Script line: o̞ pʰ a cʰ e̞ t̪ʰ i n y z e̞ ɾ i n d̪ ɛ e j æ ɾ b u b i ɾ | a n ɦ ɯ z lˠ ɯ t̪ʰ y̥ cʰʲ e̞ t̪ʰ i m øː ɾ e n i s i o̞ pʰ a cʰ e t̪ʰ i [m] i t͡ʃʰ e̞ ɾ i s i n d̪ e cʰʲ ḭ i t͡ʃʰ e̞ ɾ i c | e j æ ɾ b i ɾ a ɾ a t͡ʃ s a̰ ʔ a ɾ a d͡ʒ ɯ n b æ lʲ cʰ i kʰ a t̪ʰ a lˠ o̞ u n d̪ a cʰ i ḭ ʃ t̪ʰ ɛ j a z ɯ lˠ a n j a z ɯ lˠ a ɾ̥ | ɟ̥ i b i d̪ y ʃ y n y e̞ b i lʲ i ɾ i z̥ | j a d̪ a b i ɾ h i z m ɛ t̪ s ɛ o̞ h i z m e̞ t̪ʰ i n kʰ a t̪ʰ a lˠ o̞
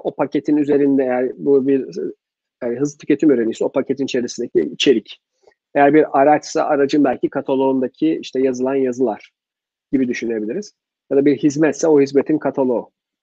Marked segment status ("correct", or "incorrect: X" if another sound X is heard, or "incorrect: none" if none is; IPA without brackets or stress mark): incorrect: n